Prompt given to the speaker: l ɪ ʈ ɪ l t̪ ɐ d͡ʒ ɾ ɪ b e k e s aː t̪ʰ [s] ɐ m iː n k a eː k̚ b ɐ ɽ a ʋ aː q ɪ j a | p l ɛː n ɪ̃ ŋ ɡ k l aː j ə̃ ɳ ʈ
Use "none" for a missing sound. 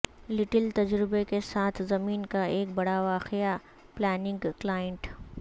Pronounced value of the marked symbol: z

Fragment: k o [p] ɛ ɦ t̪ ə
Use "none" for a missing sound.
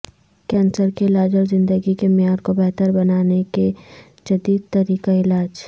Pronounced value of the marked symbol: b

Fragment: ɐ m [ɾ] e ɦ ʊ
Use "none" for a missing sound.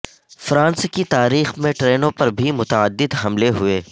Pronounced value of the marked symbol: l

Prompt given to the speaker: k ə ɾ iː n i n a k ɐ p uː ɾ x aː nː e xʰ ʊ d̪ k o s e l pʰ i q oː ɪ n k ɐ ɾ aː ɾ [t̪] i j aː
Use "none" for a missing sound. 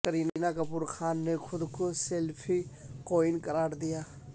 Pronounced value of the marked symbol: d̪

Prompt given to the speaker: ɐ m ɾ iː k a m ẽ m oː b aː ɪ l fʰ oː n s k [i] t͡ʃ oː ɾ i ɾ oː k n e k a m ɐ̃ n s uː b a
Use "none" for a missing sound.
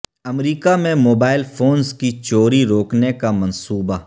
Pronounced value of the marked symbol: i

